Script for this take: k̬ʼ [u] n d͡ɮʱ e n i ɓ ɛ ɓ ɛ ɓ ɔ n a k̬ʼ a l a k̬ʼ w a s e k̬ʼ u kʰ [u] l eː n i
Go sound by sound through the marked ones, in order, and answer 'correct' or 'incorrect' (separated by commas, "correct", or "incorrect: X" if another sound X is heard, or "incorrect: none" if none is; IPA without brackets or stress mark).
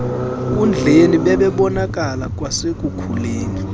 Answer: correct, correct